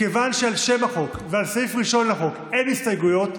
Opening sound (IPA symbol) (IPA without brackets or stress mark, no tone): e̞